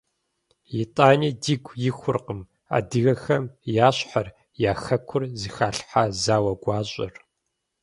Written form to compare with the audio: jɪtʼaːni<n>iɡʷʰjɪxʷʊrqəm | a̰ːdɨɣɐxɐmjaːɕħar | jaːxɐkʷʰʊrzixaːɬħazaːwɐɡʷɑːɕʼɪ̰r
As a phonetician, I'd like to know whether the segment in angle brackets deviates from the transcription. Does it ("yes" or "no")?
yes